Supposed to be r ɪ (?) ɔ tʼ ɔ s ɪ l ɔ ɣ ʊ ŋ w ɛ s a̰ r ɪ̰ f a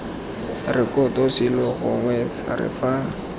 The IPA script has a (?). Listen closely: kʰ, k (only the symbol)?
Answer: k